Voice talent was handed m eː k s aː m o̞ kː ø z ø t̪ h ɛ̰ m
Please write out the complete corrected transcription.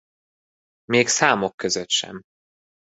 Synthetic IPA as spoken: m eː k s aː m o̞ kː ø z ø t̪ ʃ ɛ̰ m